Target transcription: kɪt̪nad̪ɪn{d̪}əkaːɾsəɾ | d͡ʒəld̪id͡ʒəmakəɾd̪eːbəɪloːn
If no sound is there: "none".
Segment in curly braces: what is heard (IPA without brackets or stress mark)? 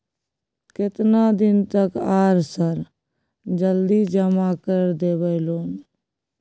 t̪